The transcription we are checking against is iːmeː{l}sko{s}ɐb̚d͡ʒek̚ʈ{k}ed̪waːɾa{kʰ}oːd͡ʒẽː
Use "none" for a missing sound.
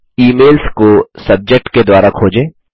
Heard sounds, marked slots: l, s, k, kʰ

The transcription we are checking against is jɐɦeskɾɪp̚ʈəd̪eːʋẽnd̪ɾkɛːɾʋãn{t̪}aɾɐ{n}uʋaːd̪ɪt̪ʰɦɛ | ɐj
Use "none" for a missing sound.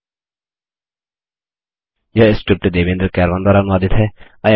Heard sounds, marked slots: d̪, n

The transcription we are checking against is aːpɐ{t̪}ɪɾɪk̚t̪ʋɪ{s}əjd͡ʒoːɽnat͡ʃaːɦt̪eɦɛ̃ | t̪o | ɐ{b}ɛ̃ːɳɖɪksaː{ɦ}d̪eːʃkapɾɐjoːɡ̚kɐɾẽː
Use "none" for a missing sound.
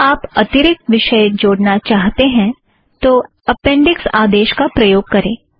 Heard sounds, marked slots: t̪, ʃ, p, none

